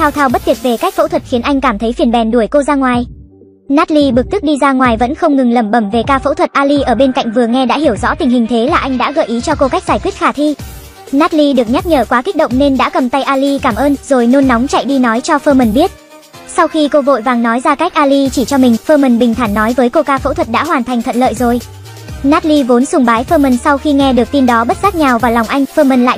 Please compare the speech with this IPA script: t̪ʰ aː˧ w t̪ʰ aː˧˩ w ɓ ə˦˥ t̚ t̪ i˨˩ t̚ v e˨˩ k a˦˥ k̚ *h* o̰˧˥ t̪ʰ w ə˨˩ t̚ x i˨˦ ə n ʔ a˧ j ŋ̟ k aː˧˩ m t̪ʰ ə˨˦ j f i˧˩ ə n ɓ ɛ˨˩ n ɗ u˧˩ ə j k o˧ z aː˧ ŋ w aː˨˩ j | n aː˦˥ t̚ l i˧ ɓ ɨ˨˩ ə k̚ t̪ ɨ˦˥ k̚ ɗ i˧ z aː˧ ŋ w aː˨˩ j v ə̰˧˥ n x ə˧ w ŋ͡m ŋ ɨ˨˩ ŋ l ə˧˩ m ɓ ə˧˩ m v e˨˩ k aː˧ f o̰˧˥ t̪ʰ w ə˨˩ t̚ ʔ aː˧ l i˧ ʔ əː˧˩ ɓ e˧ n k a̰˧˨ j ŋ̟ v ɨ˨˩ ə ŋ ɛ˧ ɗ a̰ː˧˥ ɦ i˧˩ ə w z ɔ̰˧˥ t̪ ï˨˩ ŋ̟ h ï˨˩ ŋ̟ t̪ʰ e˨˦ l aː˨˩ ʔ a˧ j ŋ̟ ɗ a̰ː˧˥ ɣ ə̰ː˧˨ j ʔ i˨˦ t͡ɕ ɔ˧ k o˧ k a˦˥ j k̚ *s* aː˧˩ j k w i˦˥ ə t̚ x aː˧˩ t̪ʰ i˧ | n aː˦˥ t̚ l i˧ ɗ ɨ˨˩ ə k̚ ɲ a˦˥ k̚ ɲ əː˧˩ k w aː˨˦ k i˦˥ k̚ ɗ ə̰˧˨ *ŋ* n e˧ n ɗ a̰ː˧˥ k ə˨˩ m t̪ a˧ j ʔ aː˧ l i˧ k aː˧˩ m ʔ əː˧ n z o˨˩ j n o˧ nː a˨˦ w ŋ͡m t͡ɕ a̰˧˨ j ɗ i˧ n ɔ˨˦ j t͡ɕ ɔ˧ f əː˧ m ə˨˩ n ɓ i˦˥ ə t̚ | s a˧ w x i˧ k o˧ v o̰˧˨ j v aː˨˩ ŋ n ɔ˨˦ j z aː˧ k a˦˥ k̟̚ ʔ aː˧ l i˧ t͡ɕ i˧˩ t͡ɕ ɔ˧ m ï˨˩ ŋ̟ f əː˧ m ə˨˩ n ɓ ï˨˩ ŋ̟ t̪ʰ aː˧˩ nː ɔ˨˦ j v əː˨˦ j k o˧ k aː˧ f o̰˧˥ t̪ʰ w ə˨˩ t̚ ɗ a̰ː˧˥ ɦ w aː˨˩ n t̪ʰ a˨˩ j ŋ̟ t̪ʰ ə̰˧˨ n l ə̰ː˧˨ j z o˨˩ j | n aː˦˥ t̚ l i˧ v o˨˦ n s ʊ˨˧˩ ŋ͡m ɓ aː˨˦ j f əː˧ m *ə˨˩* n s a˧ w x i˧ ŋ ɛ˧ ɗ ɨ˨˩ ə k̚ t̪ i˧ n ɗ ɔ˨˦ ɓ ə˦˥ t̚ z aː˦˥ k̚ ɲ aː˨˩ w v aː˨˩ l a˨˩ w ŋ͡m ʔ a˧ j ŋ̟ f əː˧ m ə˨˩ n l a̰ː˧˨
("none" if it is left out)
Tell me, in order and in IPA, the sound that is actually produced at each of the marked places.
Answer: f, z, ŋ͡m, ə˨˩

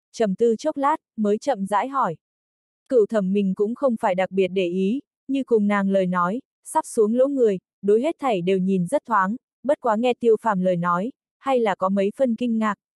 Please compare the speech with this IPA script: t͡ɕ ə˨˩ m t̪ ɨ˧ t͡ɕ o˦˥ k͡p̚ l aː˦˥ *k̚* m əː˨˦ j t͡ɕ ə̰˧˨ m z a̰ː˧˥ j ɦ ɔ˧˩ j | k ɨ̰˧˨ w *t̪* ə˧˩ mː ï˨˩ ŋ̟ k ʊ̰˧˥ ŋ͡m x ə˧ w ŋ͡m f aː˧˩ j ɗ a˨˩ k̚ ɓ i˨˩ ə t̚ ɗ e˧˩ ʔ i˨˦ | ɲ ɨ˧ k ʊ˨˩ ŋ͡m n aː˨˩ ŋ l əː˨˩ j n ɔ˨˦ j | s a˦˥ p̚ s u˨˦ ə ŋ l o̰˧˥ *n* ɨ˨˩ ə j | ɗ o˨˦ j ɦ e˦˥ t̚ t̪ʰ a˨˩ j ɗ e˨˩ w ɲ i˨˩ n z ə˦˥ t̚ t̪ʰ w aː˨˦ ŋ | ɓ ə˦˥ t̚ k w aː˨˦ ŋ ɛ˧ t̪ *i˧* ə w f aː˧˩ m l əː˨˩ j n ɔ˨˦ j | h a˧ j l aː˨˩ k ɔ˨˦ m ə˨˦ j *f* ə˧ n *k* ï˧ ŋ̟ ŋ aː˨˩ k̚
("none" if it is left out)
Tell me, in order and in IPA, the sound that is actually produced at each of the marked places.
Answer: t̚, t̪ʰ, ŋ, i˧, f, k

